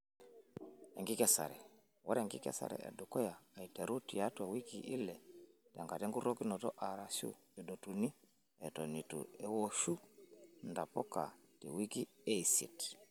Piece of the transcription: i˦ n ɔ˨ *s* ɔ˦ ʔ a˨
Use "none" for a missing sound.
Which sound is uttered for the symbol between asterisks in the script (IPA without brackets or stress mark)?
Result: t